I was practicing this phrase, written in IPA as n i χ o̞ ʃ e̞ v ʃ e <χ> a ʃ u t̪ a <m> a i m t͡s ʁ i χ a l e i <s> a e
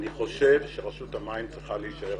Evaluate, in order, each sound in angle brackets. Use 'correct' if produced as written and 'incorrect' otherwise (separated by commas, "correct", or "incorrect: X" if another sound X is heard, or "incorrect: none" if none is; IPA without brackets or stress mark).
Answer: incorrect: ʁ, correct, incorrect: ʃ